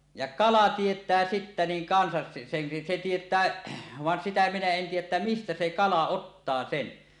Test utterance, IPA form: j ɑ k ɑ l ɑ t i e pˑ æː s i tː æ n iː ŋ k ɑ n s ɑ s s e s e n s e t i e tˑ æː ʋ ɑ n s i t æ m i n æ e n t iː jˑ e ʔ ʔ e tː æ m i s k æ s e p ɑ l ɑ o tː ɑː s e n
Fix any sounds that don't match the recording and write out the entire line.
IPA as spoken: j ɑ k ɑ l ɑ t i e tˑ æː s i tː æ n iː ŋ k ɑ n s ɑ s s e s e n s e t i e tˑ æː ʋ ɑ n s i t æ m i n æ e n t iː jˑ æ ʔ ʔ e tː æ m i s t æ s e k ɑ l ɑ o tː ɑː s e n

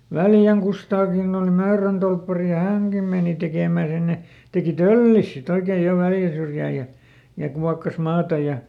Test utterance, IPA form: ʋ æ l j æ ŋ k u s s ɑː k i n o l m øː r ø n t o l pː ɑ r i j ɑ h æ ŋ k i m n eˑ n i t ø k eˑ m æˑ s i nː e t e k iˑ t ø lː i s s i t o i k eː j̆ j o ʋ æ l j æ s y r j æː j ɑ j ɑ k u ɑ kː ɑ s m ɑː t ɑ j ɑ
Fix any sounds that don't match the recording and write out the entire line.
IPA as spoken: ʋ æ l j æ ŋ k u s t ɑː k i n o l m øː r ø n t o l pː ɑ r i j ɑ h æ ŋ k i m m eˑ n i t e k eˑ m æˑ s i nː e t e k iˑ t ø lː i s s i t o i k eː j̆ j o ʋ æ l j æ s y r j æː j ɑ j ɑ k u ɑ kː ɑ s m ɑː t ɑ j ɑ

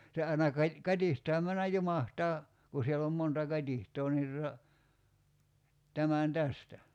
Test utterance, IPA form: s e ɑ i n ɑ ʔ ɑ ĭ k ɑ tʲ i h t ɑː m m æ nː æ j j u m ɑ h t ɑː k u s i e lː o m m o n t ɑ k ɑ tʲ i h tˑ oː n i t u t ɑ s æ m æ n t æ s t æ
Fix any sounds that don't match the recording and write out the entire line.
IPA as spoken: s e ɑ i n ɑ k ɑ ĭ k ɑ tʲ i h t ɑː m m æ nː æ j j u m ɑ h t ɑː k u s i e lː o m m o n t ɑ k ɑ tʲ i h tˑ oː n i t u t ɑ t æ m æ n t æ s t æ

